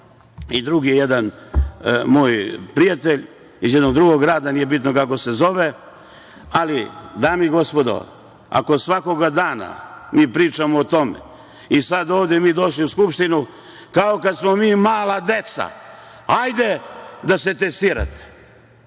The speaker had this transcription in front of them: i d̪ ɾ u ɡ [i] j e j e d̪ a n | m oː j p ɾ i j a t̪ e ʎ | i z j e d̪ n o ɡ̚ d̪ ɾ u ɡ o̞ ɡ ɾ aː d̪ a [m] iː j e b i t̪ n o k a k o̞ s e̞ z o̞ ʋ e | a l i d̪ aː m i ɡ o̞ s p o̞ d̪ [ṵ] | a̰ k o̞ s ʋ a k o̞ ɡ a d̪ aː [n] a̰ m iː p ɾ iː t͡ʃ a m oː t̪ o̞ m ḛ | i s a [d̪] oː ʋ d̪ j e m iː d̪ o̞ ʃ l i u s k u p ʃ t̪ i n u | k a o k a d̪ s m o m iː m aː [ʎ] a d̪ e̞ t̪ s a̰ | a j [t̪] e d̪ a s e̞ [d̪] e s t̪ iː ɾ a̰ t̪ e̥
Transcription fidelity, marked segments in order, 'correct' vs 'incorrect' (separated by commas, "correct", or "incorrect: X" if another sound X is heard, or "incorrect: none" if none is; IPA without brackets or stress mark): correct, incorrect: n, incorrect: o̰, correct, correct, incorrect: l, incorrect: d̪, incorrect: t̪